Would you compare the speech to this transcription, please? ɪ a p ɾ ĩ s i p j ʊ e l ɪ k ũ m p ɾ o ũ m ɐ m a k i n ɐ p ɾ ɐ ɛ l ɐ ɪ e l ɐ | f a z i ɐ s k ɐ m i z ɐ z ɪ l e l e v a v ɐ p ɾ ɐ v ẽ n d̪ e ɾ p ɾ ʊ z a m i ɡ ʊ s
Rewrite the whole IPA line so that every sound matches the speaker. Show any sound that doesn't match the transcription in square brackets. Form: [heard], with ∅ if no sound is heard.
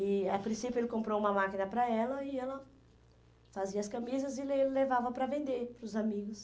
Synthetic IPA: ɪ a p ɾ ĩ s i p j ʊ e l ɪ k [õ] m p ɾ o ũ m ɐ m a k i n ɐ p ɾ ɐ ɛ l ɐ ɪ [ɛ] l ɐ | f a z i ɐ s k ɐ m i z ɐ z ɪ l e l e v a v ɐ p ɾ ɐ v ẽ n d̪ e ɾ p ɾ ʊ z a m i ɡ ʊ s